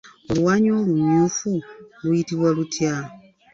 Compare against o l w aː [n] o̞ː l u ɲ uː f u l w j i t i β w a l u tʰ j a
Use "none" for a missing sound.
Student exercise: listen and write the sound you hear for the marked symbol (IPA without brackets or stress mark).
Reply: ɲ